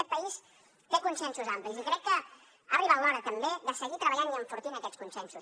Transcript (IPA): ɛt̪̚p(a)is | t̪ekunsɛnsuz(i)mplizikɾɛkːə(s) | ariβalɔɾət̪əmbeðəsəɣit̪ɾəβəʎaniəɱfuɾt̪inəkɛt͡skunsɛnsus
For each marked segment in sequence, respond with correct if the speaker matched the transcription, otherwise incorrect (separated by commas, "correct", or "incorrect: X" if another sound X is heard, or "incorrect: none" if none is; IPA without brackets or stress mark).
incorrect: ə, incorrect: a, incorrect: none